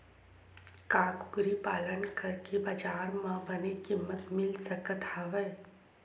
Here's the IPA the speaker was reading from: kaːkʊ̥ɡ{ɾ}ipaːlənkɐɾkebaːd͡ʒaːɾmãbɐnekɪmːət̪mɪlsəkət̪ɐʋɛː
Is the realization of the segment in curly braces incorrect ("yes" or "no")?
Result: no